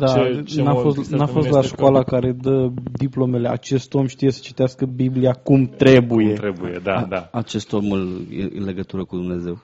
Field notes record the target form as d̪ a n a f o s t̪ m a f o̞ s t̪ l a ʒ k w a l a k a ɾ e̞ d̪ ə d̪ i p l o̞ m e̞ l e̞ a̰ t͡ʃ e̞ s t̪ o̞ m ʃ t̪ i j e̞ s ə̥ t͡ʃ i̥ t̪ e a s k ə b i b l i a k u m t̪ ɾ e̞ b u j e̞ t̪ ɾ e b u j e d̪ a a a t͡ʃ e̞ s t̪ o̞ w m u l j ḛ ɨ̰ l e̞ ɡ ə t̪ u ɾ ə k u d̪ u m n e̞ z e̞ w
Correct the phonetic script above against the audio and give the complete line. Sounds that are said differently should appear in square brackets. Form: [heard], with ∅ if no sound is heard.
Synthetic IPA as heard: d̪ a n a f o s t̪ [n] a f o̞ s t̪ l a [ʃ] k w a l a k a ɾ e̞ d̪ ə d̪ i p l o̞ m e̞ l e̞ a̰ t͡ʃ e̞ s t̪ o̞ m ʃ t̪ i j e̞ s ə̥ t͡ʃ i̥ t̪ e a s k ə b i b l i a k u m t̪ ɾ e̞ b u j e̞ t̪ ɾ e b u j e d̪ a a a t͡ʃ e̞ s t̪ o̞ [∅] m u l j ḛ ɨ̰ l e̞ ɡ ə t̪ u ɾ ə k u d̪ u m n e̞ z e̞ w